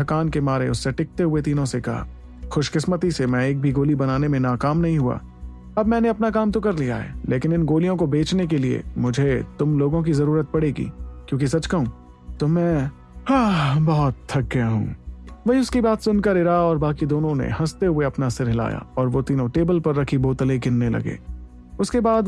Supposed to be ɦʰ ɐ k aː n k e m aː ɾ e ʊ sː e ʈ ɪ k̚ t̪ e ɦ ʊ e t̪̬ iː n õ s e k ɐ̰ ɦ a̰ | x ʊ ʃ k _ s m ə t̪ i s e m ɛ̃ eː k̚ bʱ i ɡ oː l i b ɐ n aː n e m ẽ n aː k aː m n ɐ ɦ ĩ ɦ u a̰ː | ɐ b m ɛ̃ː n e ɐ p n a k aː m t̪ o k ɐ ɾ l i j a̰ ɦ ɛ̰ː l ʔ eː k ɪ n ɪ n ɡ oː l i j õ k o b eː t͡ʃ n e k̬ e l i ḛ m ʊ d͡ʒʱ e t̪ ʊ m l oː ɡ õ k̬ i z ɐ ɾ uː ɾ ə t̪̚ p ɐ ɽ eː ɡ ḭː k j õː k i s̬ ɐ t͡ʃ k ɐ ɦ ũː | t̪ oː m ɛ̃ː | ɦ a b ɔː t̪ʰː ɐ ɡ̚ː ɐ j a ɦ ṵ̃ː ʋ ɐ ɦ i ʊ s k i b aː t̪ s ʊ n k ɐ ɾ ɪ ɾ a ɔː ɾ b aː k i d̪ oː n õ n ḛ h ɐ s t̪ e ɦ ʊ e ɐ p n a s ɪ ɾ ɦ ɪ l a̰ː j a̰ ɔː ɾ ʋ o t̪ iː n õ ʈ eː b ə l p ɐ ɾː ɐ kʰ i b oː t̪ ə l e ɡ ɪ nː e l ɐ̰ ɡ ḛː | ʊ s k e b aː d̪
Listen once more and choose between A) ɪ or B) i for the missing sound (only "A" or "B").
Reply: A